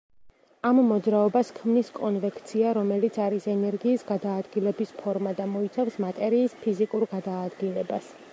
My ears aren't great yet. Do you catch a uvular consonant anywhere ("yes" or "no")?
no